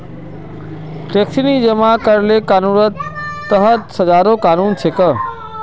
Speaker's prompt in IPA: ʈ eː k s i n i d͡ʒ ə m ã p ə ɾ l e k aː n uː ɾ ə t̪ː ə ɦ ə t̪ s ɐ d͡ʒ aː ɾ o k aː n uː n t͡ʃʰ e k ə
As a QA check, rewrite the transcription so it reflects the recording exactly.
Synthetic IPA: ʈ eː k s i n i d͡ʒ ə m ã k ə ɾ l e k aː n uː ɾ ə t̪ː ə ɦ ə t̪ s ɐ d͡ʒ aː ɾ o k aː n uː n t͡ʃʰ e k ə